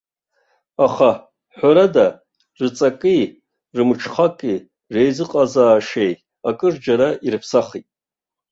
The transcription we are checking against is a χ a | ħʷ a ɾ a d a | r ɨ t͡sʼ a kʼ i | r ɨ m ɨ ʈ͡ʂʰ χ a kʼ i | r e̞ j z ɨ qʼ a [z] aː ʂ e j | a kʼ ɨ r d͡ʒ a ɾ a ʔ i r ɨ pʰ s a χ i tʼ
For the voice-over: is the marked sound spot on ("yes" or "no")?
yes